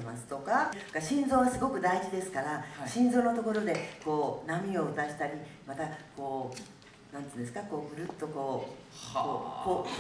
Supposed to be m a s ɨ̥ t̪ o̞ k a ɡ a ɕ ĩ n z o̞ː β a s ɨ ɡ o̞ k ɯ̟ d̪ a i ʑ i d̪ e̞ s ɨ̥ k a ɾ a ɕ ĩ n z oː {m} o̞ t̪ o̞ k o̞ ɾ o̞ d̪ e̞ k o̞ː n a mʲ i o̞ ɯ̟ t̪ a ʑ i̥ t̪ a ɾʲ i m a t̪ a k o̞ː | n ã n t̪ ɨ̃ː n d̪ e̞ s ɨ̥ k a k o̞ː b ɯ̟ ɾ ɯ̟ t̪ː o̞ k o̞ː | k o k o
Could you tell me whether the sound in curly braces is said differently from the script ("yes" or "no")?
yes